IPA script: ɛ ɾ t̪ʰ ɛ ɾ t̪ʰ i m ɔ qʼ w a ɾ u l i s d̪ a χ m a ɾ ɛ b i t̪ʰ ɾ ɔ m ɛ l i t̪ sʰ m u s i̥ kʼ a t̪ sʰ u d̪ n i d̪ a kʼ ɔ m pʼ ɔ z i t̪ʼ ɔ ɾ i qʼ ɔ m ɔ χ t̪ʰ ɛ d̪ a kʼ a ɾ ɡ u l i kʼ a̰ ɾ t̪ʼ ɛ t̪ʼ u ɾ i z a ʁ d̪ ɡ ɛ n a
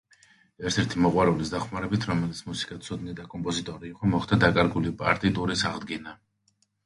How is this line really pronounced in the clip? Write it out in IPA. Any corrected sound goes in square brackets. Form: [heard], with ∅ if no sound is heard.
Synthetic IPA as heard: ɛ ɾ t̪ʰ ɛ ɾ t̪ʰ i m ɔ qʼ w a ɾ u l i s d̪ a χ m a ɾ ɛ b i t̪ʰ ɾ ɔ m ɛ l i t̪ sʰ m u s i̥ kʼ a t̪ sʰ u d̪ n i d̪ a kʼ ɔ m pʼ ɔ z i t̪ʼ ɔ ɾ [iː] qʼ ɔ m ɔ χ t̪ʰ [a] d̪ a kʼ a ɾ ɡ u l i [pʼ] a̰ ɾ t̪ʼ [i] t̪ʼ u ɾ i [s] a ʁ d̪ ɡ ɛ n a